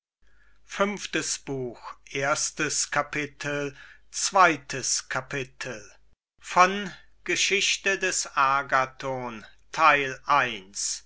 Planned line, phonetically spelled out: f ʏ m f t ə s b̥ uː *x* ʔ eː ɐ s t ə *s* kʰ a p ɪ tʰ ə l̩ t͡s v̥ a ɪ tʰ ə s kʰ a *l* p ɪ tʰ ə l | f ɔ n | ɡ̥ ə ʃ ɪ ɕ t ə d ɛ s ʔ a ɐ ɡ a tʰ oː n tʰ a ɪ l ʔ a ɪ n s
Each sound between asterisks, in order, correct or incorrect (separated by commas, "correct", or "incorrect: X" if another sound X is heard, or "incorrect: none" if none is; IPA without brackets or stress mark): correct, correct, incorrect: none